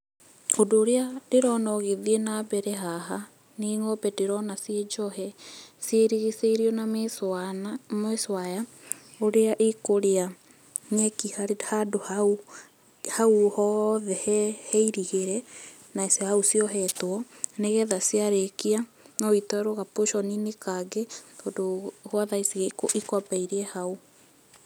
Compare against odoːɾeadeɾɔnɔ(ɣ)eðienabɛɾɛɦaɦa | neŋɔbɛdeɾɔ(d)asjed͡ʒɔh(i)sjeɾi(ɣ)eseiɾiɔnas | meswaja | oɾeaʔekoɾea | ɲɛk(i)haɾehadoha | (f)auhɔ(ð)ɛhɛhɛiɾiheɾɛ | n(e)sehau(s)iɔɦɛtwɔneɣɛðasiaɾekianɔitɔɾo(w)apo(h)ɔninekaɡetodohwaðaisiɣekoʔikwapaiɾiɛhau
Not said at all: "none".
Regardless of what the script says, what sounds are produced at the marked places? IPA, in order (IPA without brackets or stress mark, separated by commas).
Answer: ɣ, n, ɛ, ɣ, i, h, ð, a, s, ɣ, ʃ